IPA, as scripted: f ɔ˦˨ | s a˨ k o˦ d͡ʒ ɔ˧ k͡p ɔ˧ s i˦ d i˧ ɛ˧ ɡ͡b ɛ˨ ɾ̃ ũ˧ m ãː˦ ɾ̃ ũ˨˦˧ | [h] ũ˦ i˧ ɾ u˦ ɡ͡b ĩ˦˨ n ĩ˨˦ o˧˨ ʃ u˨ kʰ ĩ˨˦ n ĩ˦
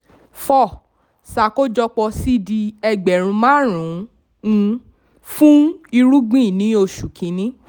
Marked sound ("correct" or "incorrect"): incorrect